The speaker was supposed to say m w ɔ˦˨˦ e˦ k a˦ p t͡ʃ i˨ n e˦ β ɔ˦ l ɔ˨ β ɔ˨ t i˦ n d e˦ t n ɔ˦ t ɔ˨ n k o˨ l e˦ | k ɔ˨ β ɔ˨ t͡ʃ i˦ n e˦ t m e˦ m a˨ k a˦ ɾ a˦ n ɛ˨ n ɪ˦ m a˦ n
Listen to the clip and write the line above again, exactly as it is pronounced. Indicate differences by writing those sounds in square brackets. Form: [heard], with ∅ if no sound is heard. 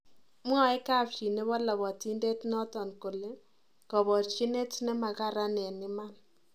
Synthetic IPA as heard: m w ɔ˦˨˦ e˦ k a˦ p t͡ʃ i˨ n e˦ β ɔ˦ l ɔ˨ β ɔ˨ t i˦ n d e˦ t n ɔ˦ t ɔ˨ n k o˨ l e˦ | k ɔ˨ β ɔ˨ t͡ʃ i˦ n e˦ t [n] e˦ m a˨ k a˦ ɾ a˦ n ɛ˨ n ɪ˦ m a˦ n